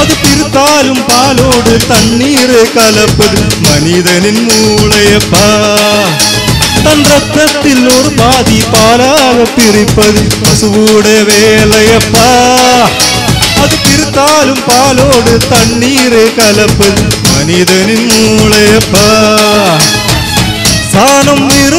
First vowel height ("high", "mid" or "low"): low